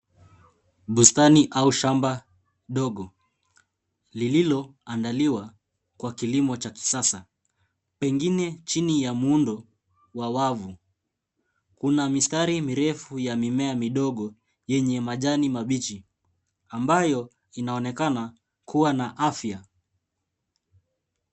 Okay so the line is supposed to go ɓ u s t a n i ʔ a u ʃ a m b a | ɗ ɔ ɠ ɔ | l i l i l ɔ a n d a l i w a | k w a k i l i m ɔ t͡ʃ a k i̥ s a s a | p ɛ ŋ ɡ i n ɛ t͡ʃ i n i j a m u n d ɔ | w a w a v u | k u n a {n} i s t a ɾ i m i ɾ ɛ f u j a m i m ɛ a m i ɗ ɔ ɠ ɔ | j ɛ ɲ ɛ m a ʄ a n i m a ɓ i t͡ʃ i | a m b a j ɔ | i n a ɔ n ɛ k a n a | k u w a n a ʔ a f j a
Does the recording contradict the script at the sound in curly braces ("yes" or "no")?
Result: yes